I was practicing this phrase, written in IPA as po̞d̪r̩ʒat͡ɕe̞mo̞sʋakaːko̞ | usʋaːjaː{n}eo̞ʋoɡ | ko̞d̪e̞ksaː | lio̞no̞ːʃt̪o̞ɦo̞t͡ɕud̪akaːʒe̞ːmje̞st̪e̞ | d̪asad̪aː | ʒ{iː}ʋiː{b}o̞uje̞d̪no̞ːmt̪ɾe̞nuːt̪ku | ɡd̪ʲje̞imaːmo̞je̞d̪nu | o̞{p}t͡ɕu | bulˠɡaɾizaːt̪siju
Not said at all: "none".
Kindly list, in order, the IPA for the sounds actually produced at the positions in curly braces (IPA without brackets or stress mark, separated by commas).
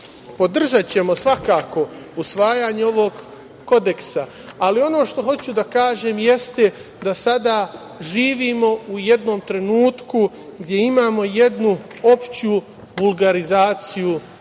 ɲ, iː, m, p